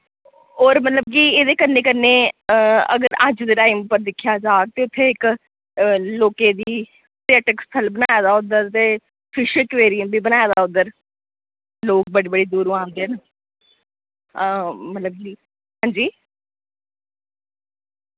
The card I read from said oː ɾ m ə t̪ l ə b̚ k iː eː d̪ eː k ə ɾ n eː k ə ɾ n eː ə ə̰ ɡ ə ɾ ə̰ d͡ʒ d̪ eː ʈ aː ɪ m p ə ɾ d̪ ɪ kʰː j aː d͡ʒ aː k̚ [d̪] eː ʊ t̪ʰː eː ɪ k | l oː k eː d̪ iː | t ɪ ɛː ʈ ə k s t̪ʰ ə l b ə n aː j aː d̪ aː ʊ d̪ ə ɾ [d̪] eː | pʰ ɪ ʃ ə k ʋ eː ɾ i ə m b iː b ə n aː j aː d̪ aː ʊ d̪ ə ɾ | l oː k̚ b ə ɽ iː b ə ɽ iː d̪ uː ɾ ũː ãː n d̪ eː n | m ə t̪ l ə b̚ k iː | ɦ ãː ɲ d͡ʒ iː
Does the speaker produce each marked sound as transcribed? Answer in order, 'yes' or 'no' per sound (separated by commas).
no, no